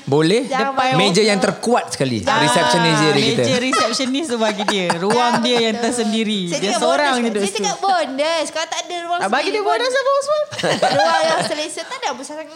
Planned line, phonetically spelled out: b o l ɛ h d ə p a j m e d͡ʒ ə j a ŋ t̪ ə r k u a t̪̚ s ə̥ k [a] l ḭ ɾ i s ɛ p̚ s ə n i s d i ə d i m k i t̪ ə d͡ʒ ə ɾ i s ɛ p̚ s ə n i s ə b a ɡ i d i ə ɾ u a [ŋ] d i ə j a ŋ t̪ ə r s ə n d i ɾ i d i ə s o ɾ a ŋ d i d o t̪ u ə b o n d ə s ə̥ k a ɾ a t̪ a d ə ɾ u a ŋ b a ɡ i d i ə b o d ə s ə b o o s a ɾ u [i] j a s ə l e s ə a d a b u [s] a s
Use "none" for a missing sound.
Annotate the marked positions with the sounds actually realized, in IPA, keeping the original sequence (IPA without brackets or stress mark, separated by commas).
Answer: a, ŋ, a, s